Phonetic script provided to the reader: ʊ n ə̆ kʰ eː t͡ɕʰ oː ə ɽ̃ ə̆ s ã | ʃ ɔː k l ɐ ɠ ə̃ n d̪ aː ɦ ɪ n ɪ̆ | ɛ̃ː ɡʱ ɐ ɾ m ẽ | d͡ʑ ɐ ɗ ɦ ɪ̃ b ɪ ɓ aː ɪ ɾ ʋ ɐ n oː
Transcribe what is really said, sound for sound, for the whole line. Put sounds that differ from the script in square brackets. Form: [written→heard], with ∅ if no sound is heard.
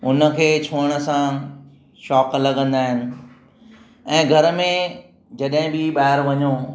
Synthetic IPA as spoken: ʊ n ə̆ kʰ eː t͡ɕʰ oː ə ɽ̃ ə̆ s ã | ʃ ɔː k l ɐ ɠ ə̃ n d̪ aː ɦ ɪ n ɪ̆ | ɛ̃ː ɡʱ ɐ ɾ m ẽ | d͡ʑ ɐ ɗ ɦ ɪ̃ b ɪ ɓ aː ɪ ɾ ʋ ɐ [n→ɲ] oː